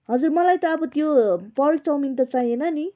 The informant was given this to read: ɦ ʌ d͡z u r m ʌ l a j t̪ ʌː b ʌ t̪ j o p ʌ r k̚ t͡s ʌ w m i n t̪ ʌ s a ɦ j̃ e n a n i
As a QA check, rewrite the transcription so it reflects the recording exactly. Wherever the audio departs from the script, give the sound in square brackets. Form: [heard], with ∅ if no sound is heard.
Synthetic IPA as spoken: ɦ ʌ d͡z u r m ʌ l a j t̪ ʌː b ʌ t̪ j o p ʌ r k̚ t͡s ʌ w m i n t̪ ʌ [t͡s] a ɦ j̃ e n [ʌ] n i